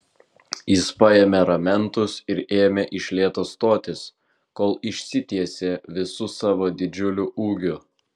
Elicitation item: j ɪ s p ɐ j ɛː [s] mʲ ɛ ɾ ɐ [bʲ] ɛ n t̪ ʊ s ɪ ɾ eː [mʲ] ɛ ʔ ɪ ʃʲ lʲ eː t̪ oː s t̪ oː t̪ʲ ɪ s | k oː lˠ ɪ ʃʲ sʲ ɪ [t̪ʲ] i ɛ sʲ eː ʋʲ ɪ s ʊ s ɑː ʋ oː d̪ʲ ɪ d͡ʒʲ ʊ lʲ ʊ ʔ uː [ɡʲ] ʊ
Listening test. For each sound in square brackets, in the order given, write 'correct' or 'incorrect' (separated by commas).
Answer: incorrect, incorrect, correct, correct, correct